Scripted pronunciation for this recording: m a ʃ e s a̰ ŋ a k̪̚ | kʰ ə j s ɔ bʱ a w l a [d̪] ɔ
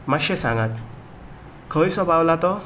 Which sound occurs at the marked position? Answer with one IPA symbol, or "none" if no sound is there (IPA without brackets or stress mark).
t̪